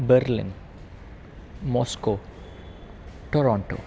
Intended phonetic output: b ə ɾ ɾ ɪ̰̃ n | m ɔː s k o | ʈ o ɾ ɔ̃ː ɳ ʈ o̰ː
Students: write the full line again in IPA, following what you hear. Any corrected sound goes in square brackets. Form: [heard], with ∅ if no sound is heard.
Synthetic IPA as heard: b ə ɾ [l] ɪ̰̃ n | m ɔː s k o | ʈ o ɾ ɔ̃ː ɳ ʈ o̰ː